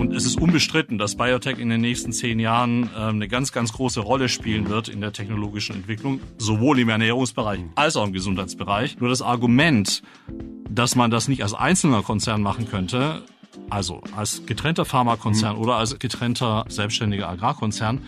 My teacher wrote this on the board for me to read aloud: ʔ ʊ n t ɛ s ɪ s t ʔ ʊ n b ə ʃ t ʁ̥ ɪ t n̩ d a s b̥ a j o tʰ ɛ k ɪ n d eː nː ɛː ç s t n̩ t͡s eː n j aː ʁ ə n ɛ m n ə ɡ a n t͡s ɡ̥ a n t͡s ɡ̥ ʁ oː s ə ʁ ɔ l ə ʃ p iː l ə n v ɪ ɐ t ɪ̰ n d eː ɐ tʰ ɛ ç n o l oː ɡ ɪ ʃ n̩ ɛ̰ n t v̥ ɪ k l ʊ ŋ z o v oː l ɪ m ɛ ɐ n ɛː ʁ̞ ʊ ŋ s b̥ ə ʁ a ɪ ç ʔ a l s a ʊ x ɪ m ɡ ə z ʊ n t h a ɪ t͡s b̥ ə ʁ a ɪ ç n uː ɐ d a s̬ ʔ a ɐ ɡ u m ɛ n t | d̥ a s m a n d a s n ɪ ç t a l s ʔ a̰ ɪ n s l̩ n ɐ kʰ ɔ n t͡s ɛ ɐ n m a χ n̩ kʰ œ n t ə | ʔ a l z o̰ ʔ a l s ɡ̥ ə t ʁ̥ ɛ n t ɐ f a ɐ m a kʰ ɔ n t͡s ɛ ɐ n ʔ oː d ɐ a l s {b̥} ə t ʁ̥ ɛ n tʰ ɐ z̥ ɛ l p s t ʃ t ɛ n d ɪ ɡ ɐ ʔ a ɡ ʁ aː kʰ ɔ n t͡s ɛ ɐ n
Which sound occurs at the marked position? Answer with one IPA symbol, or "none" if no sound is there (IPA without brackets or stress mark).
ɡ̥